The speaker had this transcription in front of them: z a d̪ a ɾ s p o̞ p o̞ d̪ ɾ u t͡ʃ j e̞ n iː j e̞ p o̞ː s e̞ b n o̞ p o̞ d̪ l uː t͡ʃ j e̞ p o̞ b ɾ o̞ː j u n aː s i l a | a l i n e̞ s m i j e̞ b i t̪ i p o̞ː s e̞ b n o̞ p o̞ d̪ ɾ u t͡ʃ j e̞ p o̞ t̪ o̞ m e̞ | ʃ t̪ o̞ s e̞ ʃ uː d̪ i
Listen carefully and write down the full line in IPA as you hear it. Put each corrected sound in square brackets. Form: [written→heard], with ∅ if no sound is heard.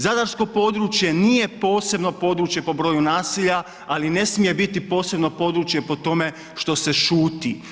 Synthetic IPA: z a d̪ a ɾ s [p→k] o̞ p o̞ d̪ ɾ u t͡ʃ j e̞ n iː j e̞ p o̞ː s e̞ b n o̞ p o̞ d̪ [l→ɾ] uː t͡ʃ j e̞ p o̞ b ɾ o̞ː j u n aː s i [l→ʎ] a | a l i n e̞ s m i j e̞ b i t̪ i p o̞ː s e̞ b n o̞ p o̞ d̪ ɾ u t͡ʃ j e̞ p o̞ t̪ o̞ m e̞ | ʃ t̪ o̞ s e̞ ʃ uː [d̪→t̪] i